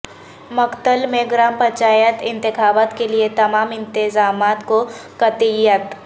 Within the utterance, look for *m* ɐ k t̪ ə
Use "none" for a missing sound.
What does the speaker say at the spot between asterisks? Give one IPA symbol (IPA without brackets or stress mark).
m